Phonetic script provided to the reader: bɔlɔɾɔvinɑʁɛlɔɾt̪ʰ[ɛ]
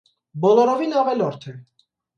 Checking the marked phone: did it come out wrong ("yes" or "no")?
no